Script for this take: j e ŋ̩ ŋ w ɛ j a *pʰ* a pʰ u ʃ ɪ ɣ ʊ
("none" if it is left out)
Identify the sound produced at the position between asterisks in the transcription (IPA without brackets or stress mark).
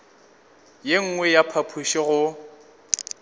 pʰ